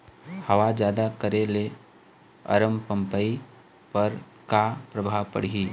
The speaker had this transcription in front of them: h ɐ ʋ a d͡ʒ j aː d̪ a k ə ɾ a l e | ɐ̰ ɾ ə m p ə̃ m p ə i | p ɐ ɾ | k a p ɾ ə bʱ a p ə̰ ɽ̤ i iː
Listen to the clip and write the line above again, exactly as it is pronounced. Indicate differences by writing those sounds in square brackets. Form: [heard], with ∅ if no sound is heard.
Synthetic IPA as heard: h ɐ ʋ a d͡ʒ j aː d̪ a k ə ɾ [e] l e | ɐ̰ ɾ ə m p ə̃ m p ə i | p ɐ ɾ | k a p ɾ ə bʱ a p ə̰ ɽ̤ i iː